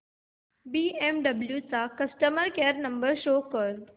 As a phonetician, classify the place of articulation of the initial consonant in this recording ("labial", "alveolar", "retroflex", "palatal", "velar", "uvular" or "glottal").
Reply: labial